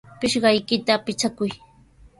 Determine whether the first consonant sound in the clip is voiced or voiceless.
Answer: voiceless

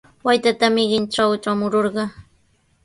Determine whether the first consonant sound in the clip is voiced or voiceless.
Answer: voiced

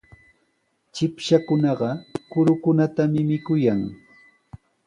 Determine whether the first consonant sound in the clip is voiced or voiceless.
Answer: voiceless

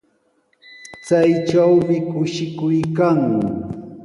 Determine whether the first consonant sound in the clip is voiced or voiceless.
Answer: voiceless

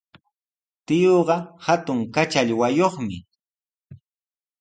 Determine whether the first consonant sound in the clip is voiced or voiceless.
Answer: voiceless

